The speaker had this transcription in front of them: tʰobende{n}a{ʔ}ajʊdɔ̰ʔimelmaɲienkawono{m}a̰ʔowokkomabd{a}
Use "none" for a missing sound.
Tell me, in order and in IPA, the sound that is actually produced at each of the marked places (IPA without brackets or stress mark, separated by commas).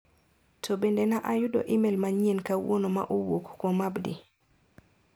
n, ʔ, m, i